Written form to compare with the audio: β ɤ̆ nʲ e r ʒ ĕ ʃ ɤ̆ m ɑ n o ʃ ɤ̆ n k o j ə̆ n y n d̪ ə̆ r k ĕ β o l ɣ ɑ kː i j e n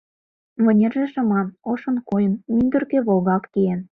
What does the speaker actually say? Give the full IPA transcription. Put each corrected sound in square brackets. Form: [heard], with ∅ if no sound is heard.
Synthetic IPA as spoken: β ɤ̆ nʲ e r ʒ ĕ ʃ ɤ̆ m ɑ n o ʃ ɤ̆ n k o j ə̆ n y n d̪ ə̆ r k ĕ β o l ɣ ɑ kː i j e n